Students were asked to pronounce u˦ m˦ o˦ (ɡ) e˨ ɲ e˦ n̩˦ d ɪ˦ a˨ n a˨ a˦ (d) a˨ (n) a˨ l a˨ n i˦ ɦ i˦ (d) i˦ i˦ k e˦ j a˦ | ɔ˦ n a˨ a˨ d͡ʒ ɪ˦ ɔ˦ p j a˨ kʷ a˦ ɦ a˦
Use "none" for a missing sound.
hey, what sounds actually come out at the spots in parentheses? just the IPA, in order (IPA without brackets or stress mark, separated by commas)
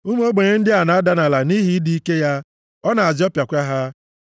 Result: ɡ͡b, d, n, d